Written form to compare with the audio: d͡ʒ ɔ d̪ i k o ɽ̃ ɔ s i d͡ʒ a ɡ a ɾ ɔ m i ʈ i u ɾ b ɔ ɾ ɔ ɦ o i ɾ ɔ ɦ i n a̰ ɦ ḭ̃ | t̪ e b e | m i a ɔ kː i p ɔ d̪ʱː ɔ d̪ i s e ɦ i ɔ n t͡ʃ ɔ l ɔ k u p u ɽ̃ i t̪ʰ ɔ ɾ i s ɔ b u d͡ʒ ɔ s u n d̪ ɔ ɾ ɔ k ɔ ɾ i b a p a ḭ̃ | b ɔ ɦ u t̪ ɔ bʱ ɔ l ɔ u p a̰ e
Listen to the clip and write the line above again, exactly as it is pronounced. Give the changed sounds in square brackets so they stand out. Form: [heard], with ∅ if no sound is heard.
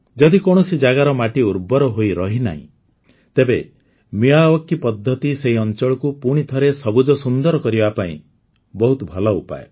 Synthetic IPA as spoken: d͡ʒ ɔ d̪ i k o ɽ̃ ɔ s i d͡ʒ a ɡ a ɾ ɔ m [a] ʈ i u ɾ b ɔ ɾ ɔ ɦ o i ɾ ɔ ɦ i n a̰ ɦ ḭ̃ | t̪ e b e | m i a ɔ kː i p ɔ d̪ʱː ɔ [t̪] i s e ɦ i ɔ n t͡ʃ ɔ [ɭ] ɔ k u p u ɽ̃ i t̪ʰ ɔ ɾ [e] s ɔ b u d͡ʒ ɔ s u n d̪ ɔ ɾ ɔ k ɔ ɾ i b a p a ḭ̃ | b ɔ ɦ u t̪ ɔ bʱ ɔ l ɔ u p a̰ e

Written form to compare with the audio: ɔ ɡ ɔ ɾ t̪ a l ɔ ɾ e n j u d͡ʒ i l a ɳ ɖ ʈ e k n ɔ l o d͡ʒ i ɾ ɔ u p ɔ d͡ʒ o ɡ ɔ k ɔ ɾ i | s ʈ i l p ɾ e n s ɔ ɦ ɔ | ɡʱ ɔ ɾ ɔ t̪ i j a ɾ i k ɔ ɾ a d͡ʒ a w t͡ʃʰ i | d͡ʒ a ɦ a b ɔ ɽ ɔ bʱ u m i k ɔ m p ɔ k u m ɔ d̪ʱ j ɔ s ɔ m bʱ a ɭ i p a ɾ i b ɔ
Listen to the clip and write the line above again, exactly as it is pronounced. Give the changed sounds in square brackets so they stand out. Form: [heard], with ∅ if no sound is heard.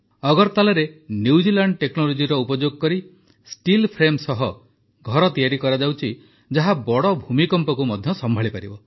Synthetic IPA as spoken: ɔ ɡ ɔ ɾ t̪ a l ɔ ɾ e n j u d͡ʒ i l a ɳ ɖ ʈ e k n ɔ l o d͡ʒ i ɾ ɔ u p ɔ d͡ʒ o ɡ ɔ k ɔ ɾ i | s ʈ i l [pʰ] ɾ e [m] s ɔ ɦ ɔ | ɡʱ ɔ ɾ ɔ t̪ i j a ɾ i k ɔ ɾ a d͡ʒ a w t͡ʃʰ i | d͡ʒ a ɦ a b ɔ ɽ ɔ bʱ u m i k ɔ m p ɔ k u m ɔ d̪ʱ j ɔ s ɔ m bʱ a ɭ i p a ɾ i b ɔ

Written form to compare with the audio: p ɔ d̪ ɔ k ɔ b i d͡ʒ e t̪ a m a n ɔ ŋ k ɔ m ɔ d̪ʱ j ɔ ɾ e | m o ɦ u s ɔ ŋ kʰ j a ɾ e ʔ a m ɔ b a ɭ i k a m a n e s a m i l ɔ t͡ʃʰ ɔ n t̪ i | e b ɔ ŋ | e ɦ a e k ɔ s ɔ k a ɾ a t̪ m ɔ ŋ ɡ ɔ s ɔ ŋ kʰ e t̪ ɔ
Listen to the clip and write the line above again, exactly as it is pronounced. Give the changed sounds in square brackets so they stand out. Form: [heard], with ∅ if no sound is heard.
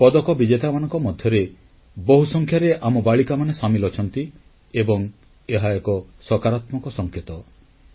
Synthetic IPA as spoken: p ɔ d̪ ɔ k ɔ b i d͡ʒ e t̪ a m a n ɔ ŋ k ɔ m ɔ d̪ʱ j ɔ ɾ e | [b] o ɦ u s ɔ ŋ kʰ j a ɾ e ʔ a m ɔ b a ɭ i k a m a n e s a m i l ɔ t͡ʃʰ ɔ n t̪ i | e b ɔ ŋ | e ɦ a e k ɔ s ɔ k a ɾ a t̪ m ɔ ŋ [k] ɔ s ɔ ŋ kʰ e t̪ ɔ

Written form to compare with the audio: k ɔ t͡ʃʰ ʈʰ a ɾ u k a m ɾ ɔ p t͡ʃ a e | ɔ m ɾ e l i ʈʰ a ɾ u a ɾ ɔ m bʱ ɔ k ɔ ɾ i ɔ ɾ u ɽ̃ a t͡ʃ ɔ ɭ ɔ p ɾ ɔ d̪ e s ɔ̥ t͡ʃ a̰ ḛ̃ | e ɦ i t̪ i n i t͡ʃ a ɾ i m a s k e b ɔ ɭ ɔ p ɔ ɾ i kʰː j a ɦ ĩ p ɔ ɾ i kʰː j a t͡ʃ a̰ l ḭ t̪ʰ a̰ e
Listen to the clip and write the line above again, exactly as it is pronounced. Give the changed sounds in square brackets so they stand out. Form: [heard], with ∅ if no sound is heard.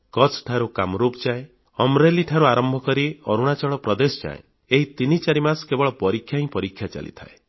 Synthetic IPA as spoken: k ɔ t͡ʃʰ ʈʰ a ɾ u k a m ɾ [u] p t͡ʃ a e | ɔ m ɾ e l i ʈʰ a ɾ u a ɾ ɔ m bʱ ɔ k ɔ ɾ i ɔ ɾ u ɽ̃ a t͡ʃ ɔ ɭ ɔ p ɾ ɔ d̪ e s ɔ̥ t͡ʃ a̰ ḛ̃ | e ɦ i t̪ i n i t͡ʃ a ɾ i m a s k e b ɔ ɭ ɔ p ɔ ɾ i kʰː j a ɦ ĩ p ɔ ɾ i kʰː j a t͡ʃ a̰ l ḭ t̪ʰ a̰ e

